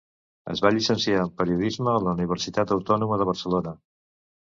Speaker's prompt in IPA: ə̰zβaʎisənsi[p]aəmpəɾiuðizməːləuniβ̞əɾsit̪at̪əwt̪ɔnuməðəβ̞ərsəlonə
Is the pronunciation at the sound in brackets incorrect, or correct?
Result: incorrect